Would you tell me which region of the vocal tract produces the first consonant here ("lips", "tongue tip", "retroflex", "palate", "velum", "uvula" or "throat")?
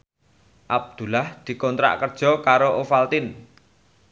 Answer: throat